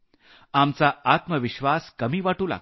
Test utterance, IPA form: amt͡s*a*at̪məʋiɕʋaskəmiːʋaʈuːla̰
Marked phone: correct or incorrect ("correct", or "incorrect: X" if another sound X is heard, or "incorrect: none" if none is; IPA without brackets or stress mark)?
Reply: correct